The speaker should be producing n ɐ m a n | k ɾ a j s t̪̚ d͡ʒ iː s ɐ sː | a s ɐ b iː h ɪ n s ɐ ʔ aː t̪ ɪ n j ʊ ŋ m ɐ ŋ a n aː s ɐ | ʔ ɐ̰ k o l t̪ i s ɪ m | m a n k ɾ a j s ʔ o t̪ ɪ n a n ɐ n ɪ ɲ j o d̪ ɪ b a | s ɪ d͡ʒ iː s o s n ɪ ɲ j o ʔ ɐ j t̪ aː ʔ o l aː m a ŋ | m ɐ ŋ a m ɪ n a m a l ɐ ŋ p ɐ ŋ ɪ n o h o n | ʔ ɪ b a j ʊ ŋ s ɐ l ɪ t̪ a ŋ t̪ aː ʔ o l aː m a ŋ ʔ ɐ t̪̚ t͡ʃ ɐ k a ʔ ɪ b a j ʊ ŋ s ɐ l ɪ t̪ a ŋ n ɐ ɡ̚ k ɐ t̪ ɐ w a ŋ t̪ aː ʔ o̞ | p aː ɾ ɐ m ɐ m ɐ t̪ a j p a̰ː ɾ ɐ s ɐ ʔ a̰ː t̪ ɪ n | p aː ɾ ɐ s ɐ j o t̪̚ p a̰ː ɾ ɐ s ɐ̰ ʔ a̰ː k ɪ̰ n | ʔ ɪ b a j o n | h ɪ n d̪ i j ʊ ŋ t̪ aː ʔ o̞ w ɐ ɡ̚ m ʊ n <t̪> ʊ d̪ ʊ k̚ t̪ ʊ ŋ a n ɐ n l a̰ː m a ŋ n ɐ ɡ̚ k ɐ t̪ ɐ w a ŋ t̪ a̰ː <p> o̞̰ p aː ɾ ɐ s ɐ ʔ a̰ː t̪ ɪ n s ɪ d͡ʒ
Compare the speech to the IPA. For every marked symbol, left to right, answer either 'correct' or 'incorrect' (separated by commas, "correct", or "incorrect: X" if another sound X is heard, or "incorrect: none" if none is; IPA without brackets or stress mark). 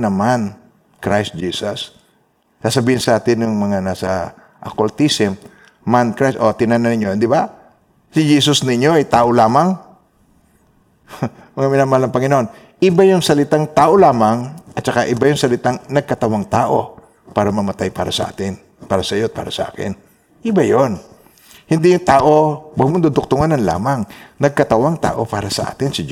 incorrect: d̪, incorrect: ʔ